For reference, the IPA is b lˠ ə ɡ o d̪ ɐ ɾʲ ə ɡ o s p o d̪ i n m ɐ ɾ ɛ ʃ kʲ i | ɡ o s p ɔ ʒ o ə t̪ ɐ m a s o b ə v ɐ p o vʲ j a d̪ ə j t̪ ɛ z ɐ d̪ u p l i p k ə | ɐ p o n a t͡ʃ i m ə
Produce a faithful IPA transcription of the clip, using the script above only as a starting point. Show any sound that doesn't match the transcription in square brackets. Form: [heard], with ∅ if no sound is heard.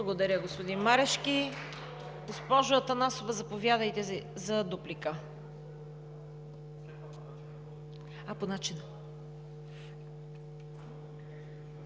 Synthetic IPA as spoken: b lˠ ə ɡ o d̪ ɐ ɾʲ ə ɡ o s p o d̪ i n m [a] ɾ ɛ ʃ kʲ i | ɡ o s p ɔ ʒ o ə t̪ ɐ [n] a s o [v] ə [z] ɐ p o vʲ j a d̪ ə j t̪ ɛ z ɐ d̪ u p l i [∅] k ə | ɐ p o n a t͡ʃ i [n] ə